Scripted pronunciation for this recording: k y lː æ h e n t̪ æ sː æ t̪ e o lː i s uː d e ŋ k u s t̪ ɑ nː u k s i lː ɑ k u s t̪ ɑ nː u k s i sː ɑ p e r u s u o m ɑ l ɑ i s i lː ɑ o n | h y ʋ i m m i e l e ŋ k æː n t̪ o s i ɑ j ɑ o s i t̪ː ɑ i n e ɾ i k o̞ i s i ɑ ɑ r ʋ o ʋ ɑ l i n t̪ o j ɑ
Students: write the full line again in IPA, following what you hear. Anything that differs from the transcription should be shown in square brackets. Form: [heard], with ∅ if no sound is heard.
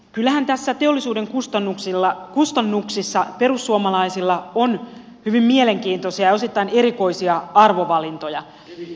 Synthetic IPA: k y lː æ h [æ] n t̪ æ sː æ t̪ e o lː i s uː d e ŋ k u s t̪ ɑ nː u k s i lː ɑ k u s t̪ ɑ nː u k s i sː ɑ p e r u [sː] u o m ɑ l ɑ i s i lː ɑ o n | h y ʋ i m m i e l e ŋ k [iː] n t̪ o s i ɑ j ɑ o s i t̪ː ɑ i n e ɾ i k o̞ i s i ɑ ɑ r ʋ o ʋ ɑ l i n t̪ o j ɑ